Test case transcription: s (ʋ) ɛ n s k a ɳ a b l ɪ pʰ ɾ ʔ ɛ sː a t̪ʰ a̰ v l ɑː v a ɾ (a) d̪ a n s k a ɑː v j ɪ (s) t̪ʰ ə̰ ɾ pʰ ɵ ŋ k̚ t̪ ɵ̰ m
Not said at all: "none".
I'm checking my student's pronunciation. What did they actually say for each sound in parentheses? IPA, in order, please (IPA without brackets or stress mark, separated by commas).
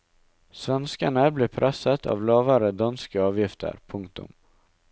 v, ə, f